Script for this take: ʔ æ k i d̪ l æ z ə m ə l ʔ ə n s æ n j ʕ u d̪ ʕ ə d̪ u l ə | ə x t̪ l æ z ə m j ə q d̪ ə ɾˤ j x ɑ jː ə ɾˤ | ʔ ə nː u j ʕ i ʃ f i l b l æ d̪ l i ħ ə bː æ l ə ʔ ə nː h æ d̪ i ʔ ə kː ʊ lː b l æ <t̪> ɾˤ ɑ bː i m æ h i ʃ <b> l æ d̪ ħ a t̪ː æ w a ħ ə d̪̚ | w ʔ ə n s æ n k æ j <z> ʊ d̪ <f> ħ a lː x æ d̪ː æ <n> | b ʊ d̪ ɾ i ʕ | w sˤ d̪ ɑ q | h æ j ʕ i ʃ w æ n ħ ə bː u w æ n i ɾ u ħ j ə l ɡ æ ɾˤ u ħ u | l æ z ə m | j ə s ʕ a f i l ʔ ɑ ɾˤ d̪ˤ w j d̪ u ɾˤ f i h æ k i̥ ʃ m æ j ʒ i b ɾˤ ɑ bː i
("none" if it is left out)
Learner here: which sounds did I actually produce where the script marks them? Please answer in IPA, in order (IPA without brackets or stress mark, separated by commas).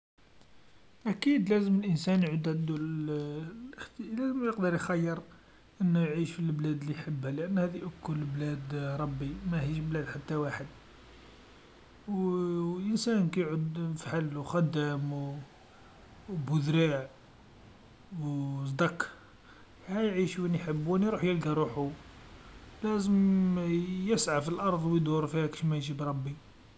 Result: d̪, b, ʕ, f, m